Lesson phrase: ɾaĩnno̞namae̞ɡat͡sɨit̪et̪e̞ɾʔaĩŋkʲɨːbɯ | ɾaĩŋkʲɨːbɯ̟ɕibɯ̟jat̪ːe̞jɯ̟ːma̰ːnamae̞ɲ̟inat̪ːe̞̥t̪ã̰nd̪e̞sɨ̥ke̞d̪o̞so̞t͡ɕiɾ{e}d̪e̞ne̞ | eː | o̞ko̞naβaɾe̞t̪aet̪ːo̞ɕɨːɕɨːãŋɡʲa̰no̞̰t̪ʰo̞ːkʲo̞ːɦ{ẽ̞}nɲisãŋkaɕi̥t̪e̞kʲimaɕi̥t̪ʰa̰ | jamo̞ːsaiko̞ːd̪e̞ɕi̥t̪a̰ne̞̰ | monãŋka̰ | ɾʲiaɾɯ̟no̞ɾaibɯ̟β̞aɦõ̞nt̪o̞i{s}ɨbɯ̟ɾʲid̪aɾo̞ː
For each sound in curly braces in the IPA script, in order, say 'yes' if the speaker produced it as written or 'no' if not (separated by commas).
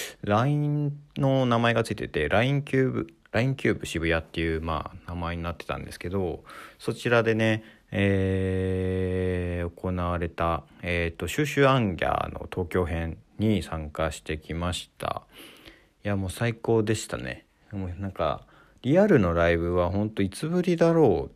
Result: no, yes, no